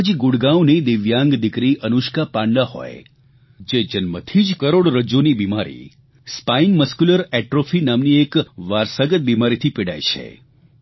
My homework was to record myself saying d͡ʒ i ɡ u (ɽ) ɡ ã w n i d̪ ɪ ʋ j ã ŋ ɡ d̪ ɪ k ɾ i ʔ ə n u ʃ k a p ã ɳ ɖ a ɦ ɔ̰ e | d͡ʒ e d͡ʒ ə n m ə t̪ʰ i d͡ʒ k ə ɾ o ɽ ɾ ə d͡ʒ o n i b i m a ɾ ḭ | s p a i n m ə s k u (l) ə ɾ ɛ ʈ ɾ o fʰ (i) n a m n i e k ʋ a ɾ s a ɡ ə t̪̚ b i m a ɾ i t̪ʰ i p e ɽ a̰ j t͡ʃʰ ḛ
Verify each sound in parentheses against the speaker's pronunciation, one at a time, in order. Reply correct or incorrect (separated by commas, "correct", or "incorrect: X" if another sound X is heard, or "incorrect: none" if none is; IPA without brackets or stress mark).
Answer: correct, correct, correct